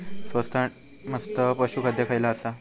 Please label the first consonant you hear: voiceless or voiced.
voiceless